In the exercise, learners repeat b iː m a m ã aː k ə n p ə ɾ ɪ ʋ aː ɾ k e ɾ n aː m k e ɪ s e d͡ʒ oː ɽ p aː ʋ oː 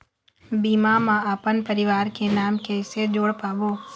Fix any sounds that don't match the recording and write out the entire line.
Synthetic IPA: b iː m a m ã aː p ə n p ə ɾ ɪ ʋ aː ɾ k e n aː m k e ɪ s e d͡ʒ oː ɽ p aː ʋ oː